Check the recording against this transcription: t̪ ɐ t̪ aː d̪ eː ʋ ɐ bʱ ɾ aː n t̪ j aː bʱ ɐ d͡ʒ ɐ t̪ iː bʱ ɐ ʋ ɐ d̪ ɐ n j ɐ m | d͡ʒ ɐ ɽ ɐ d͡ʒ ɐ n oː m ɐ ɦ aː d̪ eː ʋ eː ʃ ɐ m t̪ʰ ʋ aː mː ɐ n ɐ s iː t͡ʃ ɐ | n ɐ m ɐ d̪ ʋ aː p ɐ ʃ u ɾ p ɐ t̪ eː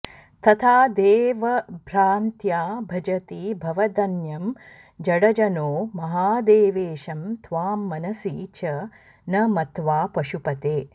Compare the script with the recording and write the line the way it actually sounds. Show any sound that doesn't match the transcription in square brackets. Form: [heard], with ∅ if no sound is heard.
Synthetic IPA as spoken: t̪ ɐ [t̪ʰ] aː d̪ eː ʋ ɐ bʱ ɾ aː n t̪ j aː bʱ ɐ d͡ʒ ɐ t̪ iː bʱ ɐ ʋ ɐ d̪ ɐ n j ɐ m | d͡ʒ ɐ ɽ ɐ d͡ʒ ɐ n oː m ɐ ɦ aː d̪ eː ʋ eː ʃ ɐ m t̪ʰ ʋ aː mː ɐ n ɐ s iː t͡ʃ ɐ | n ɐ m ɐ [t̪] ʋ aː p ɐ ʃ u [∅] p ɐ t̪ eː